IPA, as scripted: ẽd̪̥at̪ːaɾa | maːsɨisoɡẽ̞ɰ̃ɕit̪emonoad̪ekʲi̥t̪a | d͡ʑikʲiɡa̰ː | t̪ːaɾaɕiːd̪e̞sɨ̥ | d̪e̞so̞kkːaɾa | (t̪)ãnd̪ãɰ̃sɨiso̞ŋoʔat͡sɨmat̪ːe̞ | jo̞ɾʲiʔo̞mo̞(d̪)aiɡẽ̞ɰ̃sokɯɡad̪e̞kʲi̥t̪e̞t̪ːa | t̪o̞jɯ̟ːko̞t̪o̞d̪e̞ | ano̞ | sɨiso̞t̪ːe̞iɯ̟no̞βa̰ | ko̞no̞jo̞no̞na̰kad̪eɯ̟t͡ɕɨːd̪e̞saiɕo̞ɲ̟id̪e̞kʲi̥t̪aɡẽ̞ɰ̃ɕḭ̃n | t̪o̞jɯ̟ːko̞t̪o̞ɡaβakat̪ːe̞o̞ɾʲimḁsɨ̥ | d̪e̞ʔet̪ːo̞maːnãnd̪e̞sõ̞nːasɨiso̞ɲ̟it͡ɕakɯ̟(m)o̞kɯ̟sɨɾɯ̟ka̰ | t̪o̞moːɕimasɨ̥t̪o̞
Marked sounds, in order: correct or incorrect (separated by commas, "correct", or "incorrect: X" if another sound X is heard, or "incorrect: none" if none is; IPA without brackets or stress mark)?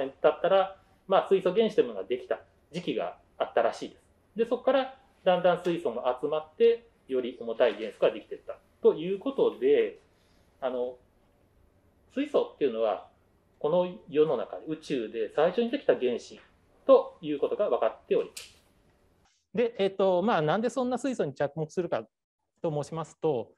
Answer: incorrect: d̪, incorrect: t̪, correct